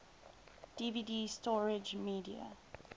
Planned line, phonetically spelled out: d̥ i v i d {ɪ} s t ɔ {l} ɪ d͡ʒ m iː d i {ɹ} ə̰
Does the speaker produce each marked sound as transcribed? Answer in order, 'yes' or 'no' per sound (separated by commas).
no, no, no